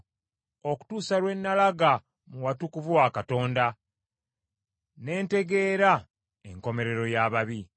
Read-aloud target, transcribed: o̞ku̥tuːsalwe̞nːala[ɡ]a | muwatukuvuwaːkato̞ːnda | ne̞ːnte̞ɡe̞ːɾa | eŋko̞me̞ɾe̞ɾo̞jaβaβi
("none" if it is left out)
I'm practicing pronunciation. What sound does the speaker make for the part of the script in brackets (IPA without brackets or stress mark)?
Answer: ɡ